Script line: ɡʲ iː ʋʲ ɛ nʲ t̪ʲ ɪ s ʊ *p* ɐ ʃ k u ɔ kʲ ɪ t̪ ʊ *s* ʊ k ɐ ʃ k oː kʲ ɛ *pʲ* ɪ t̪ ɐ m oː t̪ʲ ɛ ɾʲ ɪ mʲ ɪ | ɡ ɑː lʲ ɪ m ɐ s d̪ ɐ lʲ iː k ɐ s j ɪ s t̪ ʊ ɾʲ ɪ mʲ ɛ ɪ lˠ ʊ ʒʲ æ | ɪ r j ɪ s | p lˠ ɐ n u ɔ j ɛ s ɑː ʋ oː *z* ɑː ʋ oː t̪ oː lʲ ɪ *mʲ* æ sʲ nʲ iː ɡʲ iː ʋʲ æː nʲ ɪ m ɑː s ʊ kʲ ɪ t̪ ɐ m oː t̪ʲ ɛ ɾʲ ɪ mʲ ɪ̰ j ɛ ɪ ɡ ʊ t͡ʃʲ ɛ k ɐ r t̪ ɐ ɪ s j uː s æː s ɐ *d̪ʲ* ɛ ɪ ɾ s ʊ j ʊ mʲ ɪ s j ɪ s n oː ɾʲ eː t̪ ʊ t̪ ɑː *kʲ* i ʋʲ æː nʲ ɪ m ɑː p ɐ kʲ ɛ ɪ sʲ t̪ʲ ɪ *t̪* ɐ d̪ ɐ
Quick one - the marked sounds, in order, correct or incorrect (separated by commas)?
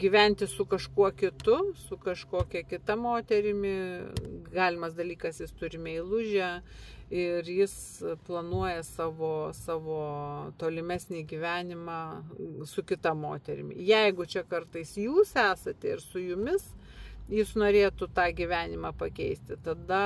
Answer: incorrect, correct, incorrect, incorrect, correct, incorrect, incorrect, correct